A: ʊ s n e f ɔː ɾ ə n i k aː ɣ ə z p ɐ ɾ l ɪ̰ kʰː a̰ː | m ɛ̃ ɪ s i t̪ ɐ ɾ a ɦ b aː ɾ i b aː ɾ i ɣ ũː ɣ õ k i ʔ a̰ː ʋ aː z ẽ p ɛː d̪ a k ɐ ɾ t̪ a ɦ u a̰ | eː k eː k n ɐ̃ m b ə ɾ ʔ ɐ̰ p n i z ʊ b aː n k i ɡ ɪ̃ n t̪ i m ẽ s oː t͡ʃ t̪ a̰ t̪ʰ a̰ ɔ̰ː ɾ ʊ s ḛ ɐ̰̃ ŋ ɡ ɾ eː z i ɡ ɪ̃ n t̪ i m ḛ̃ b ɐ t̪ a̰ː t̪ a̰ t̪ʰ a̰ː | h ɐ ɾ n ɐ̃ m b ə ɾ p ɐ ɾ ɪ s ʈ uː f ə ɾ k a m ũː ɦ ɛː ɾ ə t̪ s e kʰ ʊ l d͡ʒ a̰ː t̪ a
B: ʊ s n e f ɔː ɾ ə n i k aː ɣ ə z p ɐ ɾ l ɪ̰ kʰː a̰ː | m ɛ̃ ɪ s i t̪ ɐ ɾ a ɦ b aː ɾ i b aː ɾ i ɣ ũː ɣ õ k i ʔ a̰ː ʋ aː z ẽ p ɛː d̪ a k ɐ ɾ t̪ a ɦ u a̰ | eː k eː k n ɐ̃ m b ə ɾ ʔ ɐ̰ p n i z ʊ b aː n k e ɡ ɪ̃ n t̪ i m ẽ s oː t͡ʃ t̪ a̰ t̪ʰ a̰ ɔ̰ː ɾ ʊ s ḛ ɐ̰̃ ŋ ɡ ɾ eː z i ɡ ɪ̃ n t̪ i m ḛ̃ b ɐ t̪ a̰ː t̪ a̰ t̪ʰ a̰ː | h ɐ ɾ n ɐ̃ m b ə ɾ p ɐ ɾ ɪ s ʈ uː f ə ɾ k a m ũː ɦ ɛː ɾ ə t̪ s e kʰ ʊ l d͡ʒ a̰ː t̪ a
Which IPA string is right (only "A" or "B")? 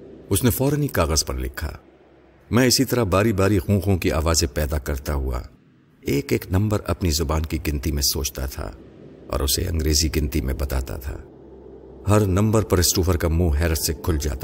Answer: A